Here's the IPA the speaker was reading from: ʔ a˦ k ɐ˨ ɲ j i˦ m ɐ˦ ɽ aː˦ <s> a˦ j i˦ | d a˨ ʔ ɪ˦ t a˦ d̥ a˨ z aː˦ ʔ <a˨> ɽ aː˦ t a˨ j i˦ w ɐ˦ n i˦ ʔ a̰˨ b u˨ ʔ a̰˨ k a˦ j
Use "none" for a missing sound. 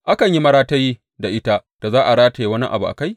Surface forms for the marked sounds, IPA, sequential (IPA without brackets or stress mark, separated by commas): t, a˨